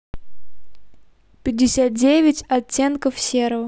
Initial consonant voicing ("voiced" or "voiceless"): voiceless